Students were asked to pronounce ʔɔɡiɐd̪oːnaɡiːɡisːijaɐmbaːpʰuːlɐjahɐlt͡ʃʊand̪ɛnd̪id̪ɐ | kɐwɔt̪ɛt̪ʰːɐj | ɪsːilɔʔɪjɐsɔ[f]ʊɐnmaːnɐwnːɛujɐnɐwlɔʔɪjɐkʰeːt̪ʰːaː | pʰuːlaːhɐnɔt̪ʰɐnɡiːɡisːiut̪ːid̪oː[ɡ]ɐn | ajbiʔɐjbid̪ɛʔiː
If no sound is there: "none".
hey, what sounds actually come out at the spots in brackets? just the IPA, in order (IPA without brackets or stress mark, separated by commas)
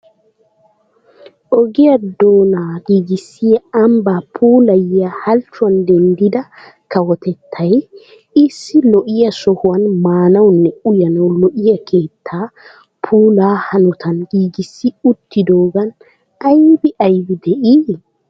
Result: h, ɡ